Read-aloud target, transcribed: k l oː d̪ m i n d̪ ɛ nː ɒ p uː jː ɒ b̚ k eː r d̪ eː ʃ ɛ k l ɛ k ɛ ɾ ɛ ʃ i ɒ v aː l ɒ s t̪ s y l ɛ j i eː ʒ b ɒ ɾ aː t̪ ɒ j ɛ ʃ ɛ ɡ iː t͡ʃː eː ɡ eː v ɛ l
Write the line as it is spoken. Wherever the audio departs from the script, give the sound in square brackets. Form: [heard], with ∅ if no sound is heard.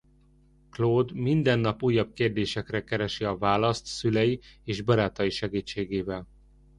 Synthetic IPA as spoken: k l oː d̪ m i n d̪ ɛ nː ɒ p uː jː ɒ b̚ k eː r d̪ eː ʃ ɛ k [r] ɛ k ɛ ɾ ɛ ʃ i ɒ v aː l ɒ s t̪ s y l ɛ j i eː ʒ b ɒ ɾ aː t̪ ɒ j [i] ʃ ɛ ɡ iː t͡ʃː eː ɡ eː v ɛ l

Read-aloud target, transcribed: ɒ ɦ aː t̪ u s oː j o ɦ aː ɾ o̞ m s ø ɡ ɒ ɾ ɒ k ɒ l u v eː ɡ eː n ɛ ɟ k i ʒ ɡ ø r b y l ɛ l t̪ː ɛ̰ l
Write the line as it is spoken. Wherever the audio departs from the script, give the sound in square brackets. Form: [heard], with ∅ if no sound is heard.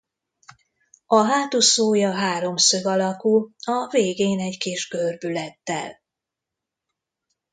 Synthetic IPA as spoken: ɒ ɦ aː t̪ u s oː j [ɒ] ɦ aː ɾ o̞ m s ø ɡ ɒ [l] ɒ k [u] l [ɒ] v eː ɡ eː n ɛ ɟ k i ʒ ɡ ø r b y l ɛ [∅] t̪ː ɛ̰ l

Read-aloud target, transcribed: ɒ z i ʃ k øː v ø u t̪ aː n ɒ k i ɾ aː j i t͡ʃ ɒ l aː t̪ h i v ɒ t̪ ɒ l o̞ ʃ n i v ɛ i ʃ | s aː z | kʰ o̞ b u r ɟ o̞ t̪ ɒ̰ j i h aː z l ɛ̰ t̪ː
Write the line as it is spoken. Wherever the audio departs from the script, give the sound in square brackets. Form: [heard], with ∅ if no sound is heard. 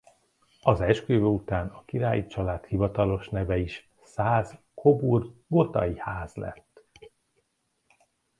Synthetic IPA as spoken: ɒ z [ɛ] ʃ k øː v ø u t̪ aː n ɒ k i ɾ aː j i t͡ʃ ɒ l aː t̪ h i v ɒ t̪ ɒ l o̞ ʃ n [ɛ] v ɛ i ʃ | s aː z | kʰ o̞ b u r [ɡ] o̞ t̪ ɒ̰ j i h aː z l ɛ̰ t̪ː

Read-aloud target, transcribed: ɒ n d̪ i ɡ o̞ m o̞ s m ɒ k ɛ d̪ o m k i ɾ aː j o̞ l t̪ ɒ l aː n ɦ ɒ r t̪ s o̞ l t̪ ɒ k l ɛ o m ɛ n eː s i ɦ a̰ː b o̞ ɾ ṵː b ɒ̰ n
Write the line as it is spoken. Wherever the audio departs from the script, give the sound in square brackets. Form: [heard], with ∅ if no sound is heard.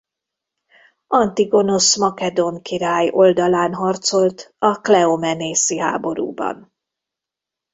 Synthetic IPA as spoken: ɒ n [t̪] i ɡ o̞ [n] o̞ s m ɒ k ɛ d̪ o [ŋ] k i ɾ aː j o̞ l [d̪] ɒ l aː n ɦ ɒ r t̪ s o̞ l t̪ ɒ k l ɛ o m ɛ n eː s i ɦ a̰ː b o̞ ɾ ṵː b ɒ̰ n

